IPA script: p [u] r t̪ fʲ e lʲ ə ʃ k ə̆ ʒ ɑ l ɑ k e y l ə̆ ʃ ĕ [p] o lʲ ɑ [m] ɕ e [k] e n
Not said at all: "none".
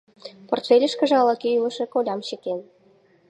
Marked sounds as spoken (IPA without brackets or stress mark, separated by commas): o, k, m, k